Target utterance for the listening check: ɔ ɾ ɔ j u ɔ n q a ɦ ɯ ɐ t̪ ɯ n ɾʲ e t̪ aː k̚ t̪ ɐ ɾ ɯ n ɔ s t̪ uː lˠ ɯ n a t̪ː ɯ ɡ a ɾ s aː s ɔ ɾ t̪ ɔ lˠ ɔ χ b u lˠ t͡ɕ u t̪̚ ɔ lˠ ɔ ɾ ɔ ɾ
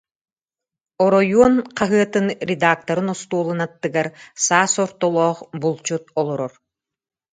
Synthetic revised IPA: ɔ ɾ ɔ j u ɔ n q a ɦ ɯ ɐ t̪ ɯ n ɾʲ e d̪ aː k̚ t̪ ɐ ɾ ɯ n ɔ s t̪ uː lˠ ɯ n a t̪ː ɯ ɡ a ɾ s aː s ɔ ɾ t̪ ɔ lˠ ɔː χ b u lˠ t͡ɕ u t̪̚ ɔ lˠ ɔ ɾ ɔ ɾ